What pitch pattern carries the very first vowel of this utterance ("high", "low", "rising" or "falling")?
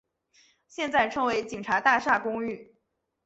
falling